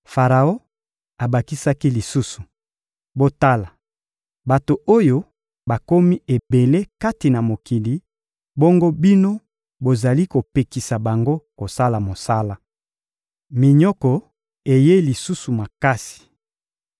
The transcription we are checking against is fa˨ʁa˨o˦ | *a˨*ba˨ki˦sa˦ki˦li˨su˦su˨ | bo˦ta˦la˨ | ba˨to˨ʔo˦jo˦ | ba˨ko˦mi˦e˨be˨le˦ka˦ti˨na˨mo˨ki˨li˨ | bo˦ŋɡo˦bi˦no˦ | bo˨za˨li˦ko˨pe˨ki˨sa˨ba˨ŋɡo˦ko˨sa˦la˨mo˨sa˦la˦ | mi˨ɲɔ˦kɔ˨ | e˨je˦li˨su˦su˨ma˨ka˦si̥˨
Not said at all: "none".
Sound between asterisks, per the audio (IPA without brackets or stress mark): a˨